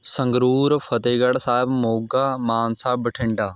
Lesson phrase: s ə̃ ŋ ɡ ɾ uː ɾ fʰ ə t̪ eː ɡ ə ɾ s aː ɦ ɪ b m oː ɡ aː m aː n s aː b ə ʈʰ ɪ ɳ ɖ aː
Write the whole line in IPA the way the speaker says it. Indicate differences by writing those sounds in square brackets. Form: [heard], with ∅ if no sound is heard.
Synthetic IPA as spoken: s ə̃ ŋ ɡ ɾ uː ɾ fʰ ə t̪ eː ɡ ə [ɽ] s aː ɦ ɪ b m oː ɡ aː m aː n s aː b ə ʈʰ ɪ ɳ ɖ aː